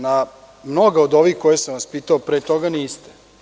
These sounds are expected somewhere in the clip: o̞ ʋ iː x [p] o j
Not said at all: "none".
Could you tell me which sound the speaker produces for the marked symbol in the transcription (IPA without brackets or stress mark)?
k